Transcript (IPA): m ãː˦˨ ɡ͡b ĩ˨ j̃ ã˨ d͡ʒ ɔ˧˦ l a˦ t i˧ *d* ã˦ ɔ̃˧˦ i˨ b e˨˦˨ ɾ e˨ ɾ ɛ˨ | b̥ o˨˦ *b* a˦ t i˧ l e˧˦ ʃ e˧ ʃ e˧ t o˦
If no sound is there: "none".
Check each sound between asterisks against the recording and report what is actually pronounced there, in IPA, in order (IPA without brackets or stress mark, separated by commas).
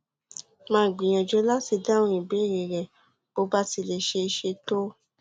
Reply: d, b